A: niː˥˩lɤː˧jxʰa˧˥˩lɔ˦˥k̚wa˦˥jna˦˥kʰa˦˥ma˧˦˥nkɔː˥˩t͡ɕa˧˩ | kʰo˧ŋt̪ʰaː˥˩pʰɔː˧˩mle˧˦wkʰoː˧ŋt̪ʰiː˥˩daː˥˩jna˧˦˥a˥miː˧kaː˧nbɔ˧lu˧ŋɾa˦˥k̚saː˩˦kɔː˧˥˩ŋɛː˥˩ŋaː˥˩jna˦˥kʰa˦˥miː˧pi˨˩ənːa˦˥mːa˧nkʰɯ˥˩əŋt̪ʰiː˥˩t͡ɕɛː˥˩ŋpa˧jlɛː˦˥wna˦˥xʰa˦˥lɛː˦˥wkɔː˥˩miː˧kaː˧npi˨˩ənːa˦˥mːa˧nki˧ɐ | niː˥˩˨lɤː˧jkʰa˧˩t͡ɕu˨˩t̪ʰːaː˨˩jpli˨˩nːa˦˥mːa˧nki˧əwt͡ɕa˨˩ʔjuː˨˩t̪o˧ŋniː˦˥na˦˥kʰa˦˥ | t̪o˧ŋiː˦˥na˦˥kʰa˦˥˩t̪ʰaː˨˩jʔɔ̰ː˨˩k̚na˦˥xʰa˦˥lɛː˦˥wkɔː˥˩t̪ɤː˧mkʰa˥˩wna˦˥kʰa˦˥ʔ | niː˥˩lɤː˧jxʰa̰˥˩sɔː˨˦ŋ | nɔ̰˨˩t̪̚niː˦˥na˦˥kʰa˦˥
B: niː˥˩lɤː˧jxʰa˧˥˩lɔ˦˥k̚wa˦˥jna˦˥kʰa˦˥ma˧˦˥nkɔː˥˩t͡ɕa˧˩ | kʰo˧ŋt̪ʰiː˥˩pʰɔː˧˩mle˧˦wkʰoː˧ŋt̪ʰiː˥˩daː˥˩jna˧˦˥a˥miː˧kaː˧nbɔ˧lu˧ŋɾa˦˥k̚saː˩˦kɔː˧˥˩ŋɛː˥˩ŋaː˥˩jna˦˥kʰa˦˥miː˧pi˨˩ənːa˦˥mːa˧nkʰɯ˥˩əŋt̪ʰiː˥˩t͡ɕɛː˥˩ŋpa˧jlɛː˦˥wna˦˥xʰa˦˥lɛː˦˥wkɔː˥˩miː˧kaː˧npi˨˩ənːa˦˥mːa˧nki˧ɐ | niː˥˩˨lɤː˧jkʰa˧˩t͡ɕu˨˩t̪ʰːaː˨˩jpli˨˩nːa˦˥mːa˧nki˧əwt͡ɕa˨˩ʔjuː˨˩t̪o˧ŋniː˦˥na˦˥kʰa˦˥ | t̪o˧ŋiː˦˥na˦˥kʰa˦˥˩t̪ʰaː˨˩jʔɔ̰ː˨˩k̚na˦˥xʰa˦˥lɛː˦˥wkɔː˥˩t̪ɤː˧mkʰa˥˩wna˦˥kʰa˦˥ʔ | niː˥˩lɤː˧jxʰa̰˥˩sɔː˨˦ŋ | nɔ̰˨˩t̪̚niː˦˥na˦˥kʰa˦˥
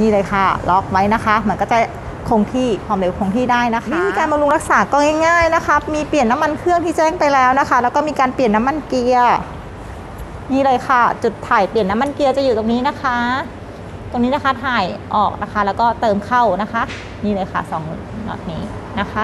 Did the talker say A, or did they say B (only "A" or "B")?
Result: B